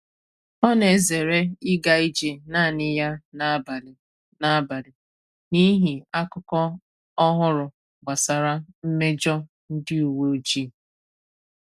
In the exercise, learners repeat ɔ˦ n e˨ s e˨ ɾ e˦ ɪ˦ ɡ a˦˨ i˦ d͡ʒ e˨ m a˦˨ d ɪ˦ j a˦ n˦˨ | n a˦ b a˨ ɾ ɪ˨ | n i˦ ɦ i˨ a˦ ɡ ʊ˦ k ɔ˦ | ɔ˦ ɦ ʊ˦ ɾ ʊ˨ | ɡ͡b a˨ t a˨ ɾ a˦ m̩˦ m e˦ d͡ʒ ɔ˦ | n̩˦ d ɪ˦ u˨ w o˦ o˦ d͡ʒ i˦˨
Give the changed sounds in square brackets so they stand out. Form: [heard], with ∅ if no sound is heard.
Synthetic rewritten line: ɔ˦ n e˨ [z] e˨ ɾ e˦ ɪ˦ ɡ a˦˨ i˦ d͡ʒ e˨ [n] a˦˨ [n] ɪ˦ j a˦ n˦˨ | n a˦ b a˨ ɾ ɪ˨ | n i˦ ɦ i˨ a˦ [k] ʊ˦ k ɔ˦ | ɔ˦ ɦ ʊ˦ ɾ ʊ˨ | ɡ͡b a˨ [s] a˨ ɾ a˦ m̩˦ m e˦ d͡ʒ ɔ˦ | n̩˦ d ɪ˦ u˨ w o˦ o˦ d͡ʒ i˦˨

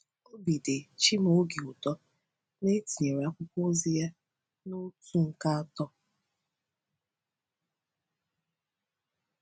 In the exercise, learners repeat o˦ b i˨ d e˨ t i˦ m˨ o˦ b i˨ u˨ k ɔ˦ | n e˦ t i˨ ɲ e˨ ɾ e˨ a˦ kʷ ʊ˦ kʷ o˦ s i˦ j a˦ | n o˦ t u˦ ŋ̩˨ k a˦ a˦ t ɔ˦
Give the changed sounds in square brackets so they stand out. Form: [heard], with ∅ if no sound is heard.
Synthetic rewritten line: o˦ b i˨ d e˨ [t͡ʃ] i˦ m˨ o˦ [ɡ] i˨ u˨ [t] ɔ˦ | n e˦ t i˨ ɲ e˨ ɾ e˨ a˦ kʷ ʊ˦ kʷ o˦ [z] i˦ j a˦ | n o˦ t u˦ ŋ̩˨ k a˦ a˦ t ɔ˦

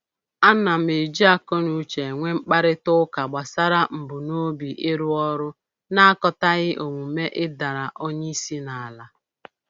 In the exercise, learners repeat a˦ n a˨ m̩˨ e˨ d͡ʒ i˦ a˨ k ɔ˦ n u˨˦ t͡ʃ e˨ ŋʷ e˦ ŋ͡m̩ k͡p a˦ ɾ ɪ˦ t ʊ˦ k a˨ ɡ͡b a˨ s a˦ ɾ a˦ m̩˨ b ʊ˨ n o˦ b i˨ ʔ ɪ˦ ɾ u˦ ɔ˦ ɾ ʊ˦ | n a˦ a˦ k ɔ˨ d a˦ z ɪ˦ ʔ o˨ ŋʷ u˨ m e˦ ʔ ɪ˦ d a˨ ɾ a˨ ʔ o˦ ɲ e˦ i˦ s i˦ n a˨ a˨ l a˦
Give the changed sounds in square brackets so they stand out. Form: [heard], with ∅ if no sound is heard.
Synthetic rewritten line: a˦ n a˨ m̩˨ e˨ d͡ʒ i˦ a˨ k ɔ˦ n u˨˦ t͡ʃ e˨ ŋʷ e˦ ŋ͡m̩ k͡p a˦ ɾ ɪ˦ t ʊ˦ k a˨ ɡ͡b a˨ s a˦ ɾ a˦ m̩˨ b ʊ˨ n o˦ b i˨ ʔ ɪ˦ ɾ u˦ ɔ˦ ɾ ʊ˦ | n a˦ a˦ k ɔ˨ [t] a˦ [ɣ] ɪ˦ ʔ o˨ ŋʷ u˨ m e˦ ʔ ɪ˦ d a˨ ɾ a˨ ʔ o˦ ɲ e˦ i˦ s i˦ n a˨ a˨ l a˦

